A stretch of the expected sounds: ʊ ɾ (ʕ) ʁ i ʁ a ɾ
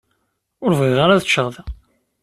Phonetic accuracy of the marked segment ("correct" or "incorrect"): incorrect